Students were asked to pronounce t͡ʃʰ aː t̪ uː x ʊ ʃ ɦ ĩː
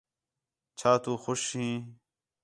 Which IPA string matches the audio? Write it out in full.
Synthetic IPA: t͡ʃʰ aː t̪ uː x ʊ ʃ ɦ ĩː